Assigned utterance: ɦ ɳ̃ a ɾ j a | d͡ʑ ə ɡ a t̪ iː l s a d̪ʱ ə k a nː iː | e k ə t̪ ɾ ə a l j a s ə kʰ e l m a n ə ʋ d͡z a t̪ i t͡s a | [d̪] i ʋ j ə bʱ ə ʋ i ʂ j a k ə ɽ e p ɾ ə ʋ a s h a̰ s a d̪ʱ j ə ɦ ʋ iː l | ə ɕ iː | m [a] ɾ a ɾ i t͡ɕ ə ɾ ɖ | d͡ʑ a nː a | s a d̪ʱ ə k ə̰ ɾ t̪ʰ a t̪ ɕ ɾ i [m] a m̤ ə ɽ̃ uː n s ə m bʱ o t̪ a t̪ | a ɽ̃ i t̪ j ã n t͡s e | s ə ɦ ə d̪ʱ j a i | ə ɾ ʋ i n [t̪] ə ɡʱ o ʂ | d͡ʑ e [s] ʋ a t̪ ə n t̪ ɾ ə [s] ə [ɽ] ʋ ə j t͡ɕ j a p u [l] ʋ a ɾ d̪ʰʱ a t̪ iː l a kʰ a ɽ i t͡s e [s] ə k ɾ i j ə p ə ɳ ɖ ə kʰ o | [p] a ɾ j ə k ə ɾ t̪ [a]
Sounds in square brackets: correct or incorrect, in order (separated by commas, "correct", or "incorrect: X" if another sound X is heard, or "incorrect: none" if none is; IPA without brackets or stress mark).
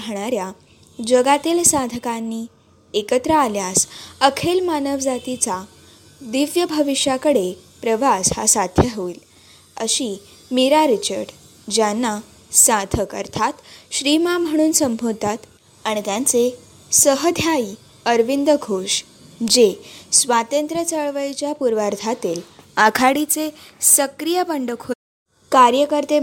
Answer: correct, incorrect: i, correct, incorrect: d̪, correct, incorrect: t͡s, incorrect: ɭ, incorrect: ɾ, correct, incorrect: k, incorrect: e